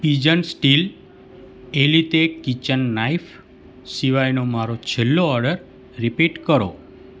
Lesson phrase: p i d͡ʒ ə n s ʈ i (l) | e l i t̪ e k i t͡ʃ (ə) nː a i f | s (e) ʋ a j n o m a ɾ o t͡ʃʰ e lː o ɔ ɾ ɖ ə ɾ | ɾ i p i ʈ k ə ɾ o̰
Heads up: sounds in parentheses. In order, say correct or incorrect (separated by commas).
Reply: correct, correct, incorrect